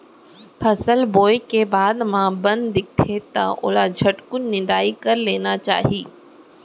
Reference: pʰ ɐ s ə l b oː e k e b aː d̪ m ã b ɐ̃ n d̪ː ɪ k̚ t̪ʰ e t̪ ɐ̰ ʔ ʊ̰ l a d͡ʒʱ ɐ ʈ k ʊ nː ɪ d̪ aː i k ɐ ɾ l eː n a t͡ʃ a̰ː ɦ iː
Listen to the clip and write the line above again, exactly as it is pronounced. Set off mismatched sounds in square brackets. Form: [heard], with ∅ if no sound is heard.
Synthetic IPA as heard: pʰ ɐ s ə l b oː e k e b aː d̪ m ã b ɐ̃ n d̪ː ɪ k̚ t̪ʰ e t̪ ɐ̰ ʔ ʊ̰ l a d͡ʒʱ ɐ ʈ k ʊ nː ɪ d̪ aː i k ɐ ɾ l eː n a t͡ʃ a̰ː ɦ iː